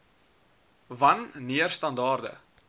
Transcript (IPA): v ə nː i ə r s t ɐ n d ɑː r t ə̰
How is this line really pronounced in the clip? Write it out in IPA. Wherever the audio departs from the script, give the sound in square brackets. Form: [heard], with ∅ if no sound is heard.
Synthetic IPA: v [ɐ] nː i ə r s t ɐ n d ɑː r [d] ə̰

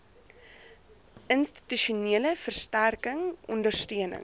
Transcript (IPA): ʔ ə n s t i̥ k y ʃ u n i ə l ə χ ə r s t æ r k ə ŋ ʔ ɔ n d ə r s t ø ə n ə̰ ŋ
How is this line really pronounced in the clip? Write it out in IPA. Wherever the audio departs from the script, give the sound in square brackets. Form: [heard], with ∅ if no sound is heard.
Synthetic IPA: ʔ ə n s t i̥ [t] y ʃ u n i ə l ə [f] ə r s t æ r k ə ŋ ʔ ɔ n d ə r s t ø ə n ə̰ ŋ

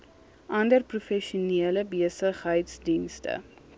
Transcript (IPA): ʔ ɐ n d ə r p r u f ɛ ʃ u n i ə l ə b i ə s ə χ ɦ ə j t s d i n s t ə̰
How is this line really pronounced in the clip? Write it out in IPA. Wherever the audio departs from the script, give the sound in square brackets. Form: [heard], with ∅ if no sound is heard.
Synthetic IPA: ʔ ɐ n d ə r p r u f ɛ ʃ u n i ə l ə b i ə s ə χ ɦ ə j t s d i n s t ə̰

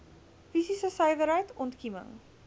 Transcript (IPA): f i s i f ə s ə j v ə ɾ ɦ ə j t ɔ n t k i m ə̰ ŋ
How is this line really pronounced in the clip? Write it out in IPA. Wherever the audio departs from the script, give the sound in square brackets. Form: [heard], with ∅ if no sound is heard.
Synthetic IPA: f i s i [s] ə s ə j v ə ɾ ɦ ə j t ɔ n t k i m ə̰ ŋ

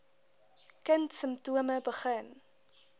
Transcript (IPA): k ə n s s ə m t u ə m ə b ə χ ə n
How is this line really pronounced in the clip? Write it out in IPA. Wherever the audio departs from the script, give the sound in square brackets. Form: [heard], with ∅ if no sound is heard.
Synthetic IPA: k ə n [t] s ə m t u ə m ə b ə χ ə n

